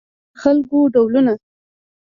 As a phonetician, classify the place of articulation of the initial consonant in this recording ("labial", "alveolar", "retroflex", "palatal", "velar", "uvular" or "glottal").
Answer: velar